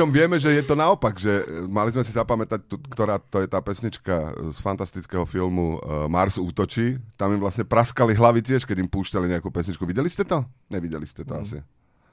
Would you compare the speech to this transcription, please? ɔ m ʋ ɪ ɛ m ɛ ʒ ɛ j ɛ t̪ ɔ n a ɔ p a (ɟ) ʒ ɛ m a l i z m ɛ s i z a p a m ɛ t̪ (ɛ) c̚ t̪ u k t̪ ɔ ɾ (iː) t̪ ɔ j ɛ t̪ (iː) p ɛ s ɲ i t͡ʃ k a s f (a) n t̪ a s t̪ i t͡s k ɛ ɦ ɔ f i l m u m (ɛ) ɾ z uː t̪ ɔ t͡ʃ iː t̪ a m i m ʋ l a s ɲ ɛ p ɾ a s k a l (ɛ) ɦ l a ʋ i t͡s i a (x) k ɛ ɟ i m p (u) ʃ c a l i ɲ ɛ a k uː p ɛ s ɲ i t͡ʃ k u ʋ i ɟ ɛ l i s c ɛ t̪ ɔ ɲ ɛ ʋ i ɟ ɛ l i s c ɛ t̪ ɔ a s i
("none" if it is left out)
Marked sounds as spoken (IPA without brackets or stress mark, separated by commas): ɡ, a, aː, aː, a, a, i, ʃ, uː